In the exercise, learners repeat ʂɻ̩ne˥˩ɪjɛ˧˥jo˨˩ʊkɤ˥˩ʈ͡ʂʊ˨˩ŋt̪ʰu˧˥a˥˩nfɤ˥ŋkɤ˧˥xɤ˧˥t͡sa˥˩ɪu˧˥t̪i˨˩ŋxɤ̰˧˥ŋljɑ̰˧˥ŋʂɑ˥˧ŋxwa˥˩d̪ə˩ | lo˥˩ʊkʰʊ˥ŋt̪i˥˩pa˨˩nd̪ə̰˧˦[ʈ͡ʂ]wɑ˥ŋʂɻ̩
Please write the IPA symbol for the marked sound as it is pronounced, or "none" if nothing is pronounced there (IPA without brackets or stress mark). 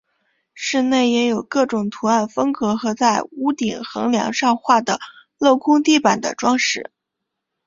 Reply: ʈ͡ʂ